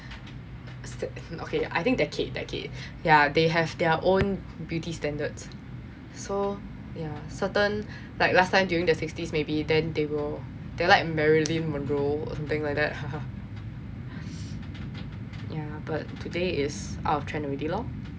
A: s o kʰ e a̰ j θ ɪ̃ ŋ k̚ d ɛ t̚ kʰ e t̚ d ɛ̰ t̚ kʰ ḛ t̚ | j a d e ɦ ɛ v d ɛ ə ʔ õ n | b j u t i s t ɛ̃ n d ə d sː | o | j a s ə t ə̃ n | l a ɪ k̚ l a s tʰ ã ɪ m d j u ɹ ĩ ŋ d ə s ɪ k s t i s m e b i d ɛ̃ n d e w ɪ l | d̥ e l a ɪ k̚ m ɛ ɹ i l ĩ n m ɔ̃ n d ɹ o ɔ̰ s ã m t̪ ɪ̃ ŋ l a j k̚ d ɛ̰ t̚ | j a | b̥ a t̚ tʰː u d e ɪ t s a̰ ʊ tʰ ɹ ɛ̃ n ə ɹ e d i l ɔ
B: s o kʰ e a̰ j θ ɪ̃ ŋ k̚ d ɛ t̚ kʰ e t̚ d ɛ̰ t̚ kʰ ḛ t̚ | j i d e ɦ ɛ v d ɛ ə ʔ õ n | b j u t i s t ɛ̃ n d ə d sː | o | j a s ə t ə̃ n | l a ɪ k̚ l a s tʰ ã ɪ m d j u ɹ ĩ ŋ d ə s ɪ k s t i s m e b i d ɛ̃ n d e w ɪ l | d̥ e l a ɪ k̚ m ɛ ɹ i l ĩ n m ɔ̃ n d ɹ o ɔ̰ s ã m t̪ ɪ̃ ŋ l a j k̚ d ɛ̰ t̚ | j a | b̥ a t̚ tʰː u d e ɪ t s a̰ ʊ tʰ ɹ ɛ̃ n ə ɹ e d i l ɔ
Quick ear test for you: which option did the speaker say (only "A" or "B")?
A